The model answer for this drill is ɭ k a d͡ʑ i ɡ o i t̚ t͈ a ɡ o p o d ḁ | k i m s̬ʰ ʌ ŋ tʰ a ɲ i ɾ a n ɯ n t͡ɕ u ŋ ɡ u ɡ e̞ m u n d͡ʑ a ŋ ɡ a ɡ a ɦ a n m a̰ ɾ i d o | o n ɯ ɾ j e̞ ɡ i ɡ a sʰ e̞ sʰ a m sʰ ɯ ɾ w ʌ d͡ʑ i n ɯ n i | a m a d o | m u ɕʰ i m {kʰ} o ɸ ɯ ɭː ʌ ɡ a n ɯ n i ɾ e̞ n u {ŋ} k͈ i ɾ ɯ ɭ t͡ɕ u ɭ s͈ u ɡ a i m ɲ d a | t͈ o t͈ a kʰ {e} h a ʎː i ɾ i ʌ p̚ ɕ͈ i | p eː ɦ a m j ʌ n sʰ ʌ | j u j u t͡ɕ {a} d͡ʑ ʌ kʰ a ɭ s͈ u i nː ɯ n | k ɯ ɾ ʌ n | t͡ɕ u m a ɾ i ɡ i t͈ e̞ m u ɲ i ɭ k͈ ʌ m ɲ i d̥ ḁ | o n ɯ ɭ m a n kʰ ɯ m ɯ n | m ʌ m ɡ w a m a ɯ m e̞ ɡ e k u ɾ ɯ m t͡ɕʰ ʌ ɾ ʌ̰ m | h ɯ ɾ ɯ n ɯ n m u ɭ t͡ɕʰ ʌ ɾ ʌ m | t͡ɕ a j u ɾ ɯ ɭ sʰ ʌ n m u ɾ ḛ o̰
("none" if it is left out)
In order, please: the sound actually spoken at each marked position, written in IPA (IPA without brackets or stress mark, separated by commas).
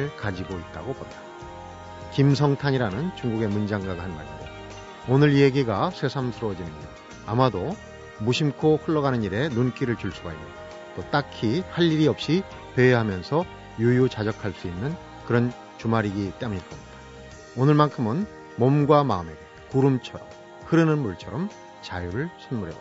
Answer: kʰ, n, i, a